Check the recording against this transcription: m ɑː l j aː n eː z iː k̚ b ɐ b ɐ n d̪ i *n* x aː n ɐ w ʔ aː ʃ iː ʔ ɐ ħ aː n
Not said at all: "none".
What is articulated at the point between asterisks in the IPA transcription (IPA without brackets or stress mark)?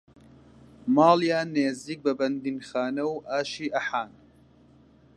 n